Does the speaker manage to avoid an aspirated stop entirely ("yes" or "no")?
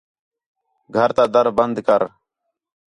yes